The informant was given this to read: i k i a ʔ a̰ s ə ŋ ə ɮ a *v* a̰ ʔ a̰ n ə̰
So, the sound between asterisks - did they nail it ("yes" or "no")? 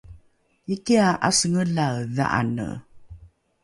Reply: no